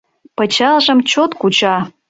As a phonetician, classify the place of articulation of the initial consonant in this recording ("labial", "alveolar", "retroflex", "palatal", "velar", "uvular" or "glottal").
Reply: labial